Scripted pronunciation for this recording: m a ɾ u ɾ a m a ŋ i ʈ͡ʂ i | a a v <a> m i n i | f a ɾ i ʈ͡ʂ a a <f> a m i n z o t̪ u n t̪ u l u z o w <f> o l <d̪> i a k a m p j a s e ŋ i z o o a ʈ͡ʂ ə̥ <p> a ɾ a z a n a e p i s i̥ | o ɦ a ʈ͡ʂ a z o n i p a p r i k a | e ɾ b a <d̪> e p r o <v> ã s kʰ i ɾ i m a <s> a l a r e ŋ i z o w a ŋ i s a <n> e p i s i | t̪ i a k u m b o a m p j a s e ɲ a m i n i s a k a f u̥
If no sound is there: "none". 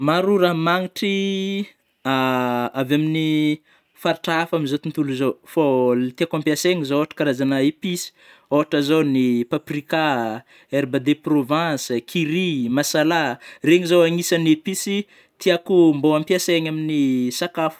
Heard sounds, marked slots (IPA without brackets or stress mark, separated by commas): a, f, f, t̪, k, d̪, v, s, n